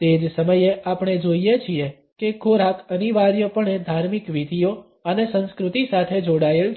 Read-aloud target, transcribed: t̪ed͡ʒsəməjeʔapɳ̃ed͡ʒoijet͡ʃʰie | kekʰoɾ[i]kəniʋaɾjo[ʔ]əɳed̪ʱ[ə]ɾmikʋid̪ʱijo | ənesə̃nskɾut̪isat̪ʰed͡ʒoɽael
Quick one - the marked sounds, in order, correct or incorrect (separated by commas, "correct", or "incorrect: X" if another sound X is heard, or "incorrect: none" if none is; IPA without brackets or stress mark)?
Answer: incorrect: a, incorrect: p, incorrect: a